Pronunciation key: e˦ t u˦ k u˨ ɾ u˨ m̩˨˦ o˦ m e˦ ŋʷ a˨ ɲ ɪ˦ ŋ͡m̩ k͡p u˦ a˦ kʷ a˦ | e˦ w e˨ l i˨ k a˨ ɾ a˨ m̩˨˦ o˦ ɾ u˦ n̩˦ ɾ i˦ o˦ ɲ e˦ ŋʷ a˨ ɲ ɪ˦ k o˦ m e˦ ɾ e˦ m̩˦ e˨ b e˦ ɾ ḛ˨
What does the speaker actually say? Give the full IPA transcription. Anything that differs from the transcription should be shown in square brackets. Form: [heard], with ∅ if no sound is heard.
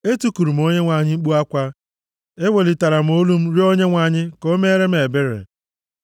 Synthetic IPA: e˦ t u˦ k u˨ ɾ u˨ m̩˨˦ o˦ [ɲ] e˦ ŋʷ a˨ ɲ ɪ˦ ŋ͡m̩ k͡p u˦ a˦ kʷ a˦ | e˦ w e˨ l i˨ [t] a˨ ɾ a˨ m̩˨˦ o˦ [l] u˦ [m̩˦] ɾ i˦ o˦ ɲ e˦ ŋʷ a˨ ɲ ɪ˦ k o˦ m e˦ ɾ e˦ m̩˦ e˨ b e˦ ɾ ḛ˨